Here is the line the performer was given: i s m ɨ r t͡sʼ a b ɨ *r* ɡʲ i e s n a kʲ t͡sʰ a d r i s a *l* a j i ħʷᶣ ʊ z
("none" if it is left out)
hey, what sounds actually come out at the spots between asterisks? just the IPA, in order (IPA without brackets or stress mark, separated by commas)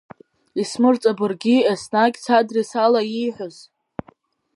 r, l